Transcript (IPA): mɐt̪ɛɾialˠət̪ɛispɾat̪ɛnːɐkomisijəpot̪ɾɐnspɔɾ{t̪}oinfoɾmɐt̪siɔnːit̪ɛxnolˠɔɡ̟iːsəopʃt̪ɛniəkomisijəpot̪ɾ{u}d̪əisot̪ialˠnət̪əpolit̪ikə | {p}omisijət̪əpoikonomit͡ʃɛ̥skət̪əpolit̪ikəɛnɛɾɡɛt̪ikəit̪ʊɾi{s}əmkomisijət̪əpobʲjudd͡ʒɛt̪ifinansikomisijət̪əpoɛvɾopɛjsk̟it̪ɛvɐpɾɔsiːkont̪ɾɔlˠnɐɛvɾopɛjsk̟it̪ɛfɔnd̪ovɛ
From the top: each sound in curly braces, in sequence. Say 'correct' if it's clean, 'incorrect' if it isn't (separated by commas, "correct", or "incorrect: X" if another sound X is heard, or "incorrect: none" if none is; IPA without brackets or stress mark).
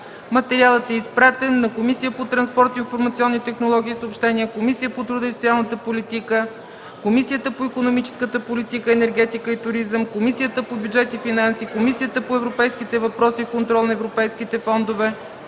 correct, correct, incorrect: k, incorrect: z